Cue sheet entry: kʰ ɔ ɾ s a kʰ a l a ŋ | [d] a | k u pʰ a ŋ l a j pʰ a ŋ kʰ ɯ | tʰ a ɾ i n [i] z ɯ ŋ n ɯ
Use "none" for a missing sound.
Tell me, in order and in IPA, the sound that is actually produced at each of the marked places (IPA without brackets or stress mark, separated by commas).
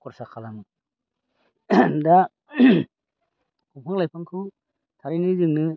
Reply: d, i